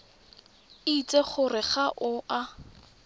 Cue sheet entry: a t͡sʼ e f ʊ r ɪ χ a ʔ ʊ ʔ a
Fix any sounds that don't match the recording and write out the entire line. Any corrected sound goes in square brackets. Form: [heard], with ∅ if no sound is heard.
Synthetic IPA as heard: [i] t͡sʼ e [χ] ʊ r ɪ χ a ʔ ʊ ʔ a